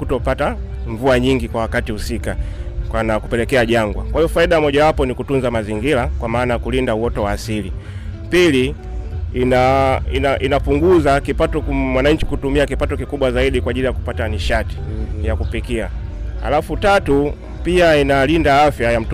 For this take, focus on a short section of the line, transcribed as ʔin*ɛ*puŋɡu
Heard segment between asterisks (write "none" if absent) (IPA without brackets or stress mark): a